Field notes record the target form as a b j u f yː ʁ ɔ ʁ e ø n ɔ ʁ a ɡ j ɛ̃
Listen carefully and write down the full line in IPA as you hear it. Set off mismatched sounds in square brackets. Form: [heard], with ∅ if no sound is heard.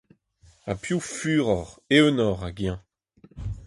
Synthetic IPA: a [p] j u f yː ʁ ɔ ʁ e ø n ɔ ʁ a ɡ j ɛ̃